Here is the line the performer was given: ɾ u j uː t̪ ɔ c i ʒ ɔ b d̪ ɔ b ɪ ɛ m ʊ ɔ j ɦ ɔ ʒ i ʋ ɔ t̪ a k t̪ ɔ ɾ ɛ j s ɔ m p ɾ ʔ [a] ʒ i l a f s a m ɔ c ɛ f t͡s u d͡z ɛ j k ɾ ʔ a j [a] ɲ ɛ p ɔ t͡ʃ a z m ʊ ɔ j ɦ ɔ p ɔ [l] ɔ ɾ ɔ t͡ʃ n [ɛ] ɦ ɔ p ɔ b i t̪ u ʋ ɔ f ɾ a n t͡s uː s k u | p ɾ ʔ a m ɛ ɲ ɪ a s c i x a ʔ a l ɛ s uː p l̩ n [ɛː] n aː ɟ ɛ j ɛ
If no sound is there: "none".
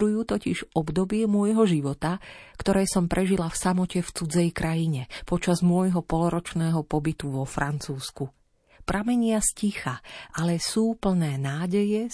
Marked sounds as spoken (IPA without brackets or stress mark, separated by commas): ɛ, i, l, ɛː, ɛː